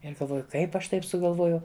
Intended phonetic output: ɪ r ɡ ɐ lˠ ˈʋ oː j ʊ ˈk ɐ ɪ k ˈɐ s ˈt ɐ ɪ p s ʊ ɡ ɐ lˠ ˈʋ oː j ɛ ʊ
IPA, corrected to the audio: ɪ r ɡ ɐ lˠ ˈʋ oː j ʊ ˈk ɐ ɪ p ˈɐ ʃ ˈt ɐ ɪ p s ʊ ɡ ɐ lˠ ˈʋ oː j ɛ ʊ